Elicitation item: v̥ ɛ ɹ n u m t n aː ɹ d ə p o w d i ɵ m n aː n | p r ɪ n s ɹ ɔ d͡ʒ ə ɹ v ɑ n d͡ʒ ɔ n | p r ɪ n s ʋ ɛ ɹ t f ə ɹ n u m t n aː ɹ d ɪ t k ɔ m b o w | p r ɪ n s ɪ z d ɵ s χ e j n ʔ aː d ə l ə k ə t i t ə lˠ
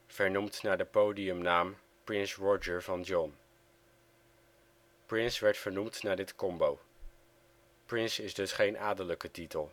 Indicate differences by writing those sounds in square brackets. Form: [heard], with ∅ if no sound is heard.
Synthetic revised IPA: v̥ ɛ ɹ n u m t n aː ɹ d ə p o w d i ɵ m n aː [m] | p r ɪ n s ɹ ɔ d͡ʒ ə ɹ v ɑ n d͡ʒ ɔ n | p r ɪ n s ʋ ɛ ɹ t f ə ɹ n u m t n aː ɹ d ɪ t k ɔ m b o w | p r ɪ n s ɪ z d ɵ s χ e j n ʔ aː d ə l ə k ə t i t ə lˠ

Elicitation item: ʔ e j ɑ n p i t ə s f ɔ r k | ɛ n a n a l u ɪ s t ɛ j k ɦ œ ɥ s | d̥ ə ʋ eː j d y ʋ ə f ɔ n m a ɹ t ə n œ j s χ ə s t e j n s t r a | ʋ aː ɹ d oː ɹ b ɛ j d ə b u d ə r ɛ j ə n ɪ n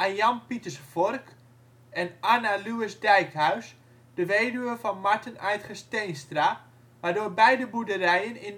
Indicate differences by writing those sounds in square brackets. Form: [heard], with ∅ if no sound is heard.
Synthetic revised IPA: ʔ [a] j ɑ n p i t ə s f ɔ r k | ɛ n a n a l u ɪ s [d] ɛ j k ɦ œ ɥ s | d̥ ə ʋ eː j d y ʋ ə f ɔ n m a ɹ t ə n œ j [t] χ ə s t e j n s t r a | ʋ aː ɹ d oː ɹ b ɛ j d ə b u d ə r ɛ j ə n ɪ n

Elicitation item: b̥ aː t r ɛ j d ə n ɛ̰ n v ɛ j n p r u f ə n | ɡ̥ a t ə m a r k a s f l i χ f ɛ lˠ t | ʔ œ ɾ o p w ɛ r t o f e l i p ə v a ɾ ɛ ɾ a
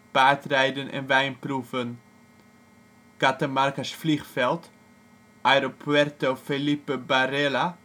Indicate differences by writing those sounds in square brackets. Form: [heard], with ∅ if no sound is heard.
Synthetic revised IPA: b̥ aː t r ɛ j d ə n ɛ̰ n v ɛ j n p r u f ə n | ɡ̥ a t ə m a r k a s f l i χ f ɛ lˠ t | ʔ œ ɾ o p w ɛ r t o f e l i p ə [b] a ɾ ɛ [l] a

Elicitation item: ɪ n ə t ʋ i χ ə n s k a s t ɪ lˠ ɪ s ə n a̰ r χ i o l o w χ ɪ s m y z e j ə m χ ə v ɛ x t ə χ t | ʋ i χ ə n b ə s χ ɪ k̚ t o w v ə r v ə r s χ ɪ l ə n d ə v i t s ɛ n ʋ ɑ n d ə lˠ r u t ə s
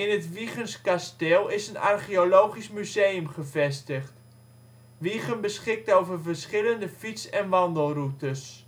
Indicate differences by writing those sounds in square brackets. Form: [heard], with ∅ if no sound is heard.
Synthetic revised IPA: ɪ n ə t ʋ i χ ə n s k a s t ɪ lˠ ɪ s ə n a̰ r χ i o l o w χ [i] s m y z e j ə m χ ə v ɛ [s] t ə χ t | ʋ i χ ə n b ə s χ ɪ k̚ t o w v ə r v ə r s χ ɪ l ə n d ə [f] i t s ɛ n ʋ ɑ n d ə lˠ r u t ə s

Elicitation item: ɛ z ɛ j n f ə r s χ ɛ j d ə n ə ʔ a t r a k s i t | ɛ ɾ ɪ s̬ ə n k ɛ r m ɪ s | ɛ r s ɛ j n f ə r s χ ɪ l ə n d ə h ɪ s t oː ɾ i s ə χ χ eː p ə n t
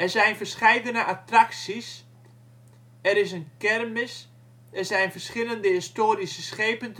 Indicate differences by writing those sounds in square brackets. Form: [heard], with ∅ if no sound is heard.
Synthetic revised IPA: ɛ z ɛ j n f ə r s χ ɛ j d ə n ə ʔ a t r a k s i [s] | ɛ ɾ ɪ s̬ ə n k ɛ r m ɪ s | ɛ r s ɛ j n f ə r s χ ɪ l ə n d ə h ɪ s t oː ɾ i s ə [s] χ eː p ə n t

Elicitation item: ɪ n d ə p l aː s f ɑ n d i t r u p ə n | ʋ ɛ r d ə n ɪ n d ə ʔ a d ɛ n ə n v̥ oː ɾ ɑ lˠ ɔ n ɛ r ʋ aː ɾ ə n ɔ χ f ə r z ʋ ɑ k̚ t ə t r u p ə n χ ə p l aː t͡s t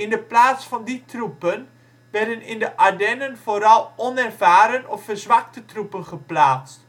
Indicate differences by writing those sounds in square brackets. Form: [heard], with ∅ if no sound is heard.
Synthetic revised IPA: ɪ n d ə p l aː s f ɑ n d i t r u p ə n | ʋ ɛ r d ə n ɪ n d ə ʔ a d ɛ n ə n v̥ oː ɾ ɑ lˠ ɔ n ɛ r [v] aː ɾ ə n ɔ [f] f ə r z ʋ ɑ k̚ t ə t r u p ə n χ ə p l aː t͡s t

